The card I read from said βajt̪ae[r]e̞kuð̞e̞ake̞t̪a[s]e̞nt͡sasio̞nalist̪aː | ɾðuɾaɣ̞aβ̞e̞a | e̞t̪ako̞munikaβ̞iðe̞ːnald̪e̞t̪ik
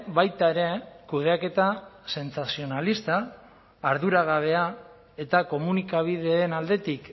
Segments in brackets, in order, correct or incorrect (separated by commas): incorrect, correct